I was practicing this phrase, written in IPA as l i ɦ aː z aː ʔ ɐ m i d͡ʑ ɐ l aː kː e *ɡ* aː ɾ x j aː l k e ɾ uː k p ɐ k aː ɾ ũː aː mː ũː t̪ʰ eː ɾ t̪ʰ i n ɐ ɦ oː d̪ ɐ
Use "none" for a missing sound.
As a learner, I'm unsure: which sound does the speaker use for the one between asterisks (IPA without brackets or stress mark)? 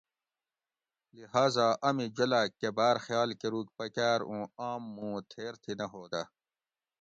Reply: b